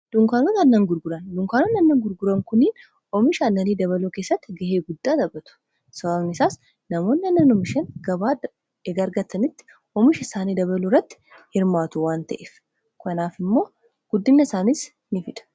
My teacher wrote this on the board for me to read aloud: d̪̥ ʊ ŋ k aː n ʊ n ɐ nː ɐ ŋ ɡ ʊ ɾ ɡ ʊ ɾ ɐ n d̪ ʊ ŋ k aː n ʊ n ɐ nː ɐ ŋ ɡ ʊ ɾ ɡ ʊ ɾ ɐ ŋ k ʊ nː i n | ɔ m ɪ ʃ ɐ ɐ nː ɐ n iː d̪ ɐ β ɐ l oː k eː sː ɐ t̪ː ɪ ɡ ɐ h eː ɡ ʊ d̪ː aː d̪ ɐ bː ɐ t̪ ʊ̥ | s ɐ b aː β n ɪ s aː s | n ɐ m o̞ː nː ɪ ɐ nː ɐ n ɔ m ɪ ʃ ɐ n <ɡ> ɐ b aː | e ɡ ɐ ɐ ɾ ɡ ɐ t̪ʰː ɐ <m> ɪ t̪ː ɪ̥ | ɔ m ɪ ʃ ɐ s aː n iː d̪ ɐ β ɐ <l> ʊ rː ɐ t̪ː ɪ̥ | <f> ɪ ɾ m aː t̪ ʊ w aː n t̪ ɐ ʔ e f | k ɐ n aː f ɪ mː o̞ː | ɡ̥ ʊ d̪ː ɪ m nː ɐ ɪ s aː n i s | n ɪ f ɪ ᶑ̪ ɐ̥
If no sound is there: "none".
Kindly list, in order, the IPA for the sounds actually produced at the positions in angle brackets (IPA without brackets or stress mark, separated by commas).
ɡ, n, l, h